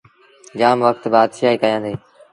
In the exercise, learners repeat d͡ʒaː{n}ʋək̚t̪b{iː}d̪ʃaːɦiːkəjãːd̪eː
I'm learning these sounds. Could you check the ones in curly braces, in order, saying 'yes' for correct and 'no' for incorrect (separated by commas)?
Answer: no, no